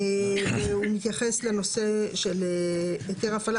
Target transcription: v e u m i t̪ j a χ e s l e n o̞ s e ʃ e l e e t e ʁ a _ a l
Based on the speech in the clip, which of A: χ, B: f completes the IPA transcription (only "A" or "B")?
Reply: B